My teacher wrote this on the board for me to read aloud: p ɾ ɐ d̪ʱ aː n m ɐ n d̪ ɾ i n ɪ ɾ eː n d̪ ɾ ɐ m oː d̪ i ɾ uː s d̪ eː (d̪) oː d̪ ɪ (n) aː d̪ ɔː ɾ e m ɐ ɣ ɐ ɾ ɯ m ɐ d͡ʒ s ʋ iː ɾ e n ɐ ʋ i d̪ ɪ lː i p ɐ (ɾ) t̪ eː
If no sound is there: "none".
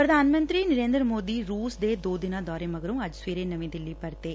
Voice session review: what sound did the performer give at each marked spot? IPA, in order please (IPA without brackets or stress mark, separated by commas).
d̪, n, ɾ